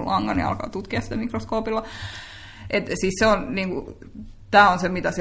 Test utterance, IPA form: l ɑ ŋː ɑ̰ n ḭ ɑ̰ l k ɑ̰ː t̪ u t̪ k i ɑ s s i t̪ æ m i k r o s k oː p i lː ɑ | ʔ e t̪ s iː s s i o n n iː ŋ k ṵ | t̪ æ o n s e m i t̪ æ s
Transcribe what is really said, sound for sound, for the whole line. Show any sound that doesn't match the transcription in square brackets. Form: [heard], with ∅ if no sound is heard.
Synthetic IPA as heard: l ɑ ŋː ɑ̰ n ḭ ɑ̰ l k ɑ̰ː t̪ u t̪ k i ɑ s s i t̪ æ m i k r o s k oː p i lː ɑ | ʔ e t̪ s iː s s [e] o n n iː ŋ k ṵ | t̪ [æː] o n s e m i t̪ æ s